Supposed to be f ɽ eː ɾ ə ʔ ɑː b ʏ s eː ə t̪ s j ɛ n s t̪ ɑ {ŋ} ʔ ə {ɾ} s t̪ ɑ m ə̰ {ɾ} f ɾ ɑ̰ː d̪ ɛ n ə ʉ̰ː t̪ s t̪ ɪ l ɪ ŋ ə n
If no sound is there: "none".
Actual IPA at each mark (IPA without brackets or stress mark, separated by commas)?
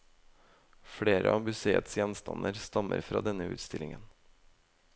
n, ɾ, ɾ